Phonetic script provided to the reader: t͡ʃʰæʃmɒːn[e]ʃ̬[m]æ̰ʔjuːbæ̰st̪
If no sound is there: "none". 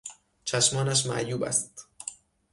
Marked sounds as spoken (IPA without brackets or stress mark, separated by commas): æ, m